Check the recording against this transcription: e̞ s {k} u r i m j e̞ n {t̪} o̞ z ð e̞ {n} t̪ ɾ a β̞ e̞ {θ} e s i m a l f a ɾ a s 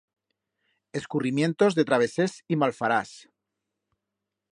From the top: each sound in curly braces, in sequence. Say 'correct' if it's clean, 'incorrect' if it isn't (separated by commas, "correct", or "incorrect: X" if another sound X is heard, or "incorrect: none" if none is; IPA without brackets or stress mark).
correct, correct, incorrect: none, incorrect: s